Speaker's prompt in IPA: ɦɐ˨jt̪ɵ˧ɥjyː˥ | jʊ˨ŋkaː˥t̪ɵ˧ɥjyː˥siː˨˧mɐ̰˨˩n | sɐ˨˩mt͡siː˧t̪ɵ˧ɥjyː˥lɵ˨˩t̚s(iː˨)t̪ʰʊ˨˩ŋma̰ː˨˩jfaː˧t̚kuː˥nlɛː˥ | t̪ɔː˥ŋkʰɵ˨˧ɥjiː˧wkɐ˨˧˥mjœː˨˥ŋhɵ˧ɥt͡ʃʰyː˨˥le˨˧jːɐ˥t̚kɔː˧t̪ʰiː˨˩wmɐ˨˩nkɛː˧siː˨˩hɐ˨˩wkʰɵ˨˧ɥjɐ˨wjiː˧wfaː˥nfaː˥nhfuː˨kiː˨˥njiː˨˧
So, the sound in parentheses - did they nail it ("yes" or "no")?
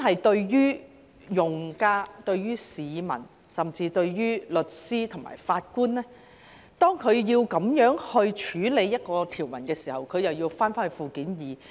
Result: no